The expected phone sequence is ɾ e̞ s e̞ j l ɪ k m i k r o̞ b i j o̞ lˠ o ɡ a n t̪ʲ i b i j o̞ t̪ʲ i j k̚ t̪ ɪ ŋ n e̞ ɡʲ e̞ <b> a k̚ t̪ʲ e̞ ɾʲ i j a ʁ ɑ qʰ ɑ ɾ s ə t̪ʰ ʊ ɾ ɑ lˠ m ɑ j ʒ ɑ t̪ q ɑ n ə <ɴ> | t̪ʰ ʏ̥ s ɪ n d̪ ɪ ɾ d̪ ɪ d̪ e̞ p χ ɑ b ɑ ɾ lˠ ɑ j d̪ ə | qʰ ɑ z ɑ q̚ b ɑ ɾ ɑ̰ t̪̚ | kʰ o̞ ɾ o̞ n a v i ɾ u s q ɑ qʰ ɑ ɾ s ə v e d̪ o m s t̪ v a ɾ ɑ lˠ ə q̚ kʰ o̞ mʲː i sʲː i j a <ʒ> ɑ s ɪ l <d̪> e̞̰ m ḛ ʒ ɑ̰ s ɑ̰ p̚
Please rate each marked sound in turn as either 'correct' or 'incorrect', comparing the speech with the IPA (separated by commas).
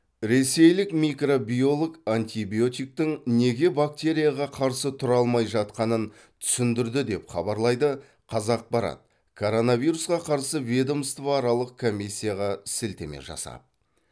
correct, incorrect, incorrect, incorrect